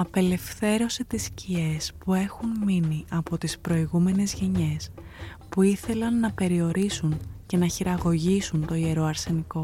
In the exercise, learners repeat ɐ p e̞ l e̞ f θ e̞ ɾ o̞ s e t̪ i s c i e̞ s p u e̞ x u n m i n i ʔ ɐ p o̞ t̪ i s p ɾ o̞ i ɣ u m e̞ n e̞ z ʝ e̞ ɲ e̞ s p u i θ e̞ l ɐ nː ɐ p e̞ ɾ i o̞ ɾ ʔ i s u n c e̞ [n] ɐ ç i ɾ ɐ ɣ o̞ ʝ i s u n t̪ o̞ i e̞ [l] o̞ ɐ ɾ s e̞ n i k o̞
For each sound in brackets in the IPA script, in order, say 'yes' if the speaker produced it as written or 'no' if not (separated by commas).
yes, no